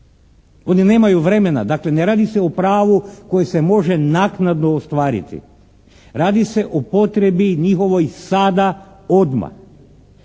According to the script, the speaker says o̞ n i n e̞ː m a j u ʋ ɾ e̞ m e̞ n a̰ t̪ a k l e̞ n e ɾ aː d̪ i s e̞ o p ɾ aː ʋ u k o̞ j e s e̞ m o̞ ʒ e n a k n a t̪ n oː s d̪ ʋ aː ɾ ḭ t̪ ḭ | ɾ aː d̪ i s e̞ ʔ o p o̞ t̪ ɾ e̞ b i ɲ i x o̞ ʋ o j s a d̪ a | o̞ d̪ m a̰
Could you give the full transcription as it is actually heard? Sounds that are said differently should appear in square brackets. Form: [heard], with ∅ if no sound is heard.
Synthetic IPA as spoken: o̞ n i n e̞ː m a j u ʋ ɾ e̞ m e̞ n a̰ [d̪] a k l e̞ n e ɾ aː d̪ i s e̞ o p ɾ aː ʋ u k o̞ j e s e̞ m o̞ ʒ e n a k n a [d̪] n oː s [t̪] ʋ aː ɾ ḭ t̪ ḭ | ɾ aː d̪ i s e̞ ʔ o p o̞ t̪ ɾ e̞ b i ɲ i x o̞ ʋ o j s a d̪ a | o̞ d̪ m a̰

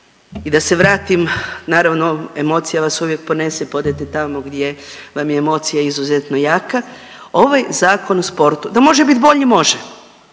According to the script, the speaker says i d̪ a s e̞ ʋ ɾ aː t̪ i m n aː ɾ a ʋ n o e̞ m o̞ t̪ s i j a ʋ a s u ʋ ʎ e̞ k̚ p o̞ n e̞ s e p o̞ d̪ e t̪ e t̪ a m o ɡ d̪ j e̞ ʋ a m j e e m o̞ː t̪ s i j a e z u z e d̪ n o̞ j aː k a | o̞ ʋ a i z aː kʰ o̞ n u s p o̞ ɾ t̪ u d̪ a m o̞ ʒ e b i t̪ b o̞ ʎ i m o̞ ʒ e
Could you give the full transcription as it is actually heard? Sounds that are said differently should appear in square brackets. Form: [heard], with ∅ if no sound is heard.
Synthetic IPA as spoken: i d̪ a s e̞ ʋ ɾ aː t̪ i m n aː ɾ a ʋ n o e̞ m o̞ t̪ s i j a ʋ a s u ʋ [j] e̞ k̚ p o̞ n e̞ s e p o̞ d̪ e t̪ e t̪ a m o ɡ d̪ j e̞ ʋ a m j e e m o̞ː t̪ s i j a [i] z u z e [t̪] n o̞ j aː k a | o̞ ʋ a [j] z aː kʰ o̞ n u s p o̞ ɾ t̪ u d̪ a m o̞ ʒ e b i t̪ b o̞ ʎ i m o̞ ʒ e

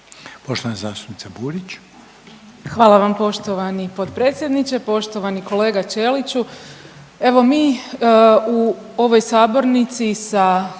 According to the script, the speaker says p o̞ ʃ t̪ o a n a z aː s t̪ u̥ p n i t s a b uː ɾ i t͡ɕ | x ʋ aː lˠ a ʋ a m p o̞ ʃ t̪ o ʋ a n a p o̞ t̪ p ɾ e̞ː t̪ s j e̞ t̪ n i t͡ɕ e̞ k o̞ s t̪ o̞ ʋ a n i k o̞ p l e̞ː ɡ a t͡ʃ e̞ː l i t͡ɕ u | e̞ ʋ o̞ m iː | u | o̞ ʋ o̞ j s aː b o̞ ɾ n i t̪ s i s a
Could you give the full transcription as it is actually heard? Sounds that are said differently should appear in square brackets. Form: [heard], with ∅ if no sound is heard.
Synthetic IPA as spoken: p o̞ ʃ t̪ o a n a z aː s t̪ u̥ p n i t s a b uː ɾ i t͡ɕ | x ʋ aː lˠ a ʋ a m p o̞ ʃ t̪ o ʋ a n [i] p o̞ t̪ p ɾ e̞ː t̪ s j e̞ [d̪] n i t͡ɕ e̞ [p] o̞ [ʃ] t̪ o̞ ʋ a n i k o̞ [∅] l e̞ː ɡ a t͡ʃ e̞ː l i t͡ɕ u | e̞ ʋ o̞ m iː | u | o̞ ʋ o̞ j s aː b o̞ ɾ n i t̪ s i s a

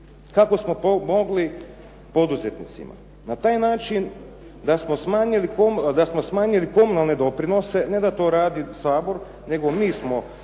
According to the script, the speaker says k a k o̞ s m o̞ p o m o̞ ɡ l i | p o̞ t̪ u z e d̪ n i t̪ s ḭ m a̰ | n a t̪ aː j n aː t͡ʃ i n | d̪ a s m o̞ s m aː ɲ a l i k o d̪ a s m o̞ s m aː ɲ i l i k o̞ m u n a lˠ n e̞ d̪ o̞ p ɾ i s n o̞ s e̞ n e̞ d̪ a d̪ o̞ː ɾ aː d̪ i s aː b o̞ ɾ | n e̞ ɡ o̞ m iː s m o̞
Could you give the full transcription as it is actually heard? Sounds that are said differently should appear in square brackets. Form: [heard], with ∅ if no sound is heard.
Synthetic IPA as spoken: k a k o̞ s m o̞ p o m o̞ ɡ l i | p o̞ [d̪] u z e [t̪] n i t̪ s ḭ m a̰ | n a t̪ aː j n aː t͡ʃ i n | d̪ a s m o̞ s m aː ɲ [i] l i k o d̪ a s m o̞ s m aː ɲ i l i k o̞ m u n a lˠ n e̞ d̪ o̞ p ɾ i [∅] n o̞ s e̞ n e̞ d̪ a [t̪] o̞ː ɾ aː d̪ i s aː b o̞ ɾ | n e̞ ɡ o̞ m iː s m o̞

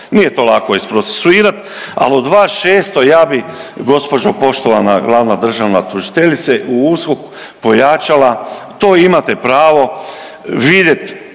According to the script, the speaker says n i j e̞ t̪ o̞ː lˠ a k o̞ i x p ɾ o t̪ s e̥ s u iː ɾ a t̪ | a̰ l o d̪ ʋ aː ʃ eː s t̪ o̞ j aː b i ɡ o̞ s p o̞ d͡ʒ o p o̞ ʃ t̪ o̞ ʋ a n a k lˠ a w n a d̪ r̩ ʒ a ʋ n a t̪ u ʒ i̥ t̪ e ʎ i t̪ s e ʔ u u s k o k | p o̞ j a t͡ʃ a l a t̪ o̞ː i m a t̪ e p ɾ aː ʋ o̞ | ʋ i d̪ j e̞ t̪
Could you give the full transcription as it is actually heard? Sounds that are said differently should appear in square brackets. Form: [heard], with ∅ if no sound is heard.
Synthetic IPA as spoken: n i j e̞ t̪ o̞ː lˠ a k o̞ i [s] p ɾ o t̪ s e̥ s u iː ɾ a t̪ | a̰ l o d̪ ʋ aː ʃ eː s t̪ o̞ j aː b i ɡ o̞ s p o̞ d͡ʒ o p o̞ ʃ t̪ o̞ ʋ a n a [ɡ] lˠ a [ʋ] n a d̪ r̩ ʒ a ʋ n a t̪ u ʒ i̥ t̪ e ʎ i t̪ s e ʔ u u s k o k | p o̞ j a t͡ʃ a l a t̪ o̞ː i m a t̪ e p ɾ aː ʋ o̞ | ʋ i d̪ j e̞ t̪

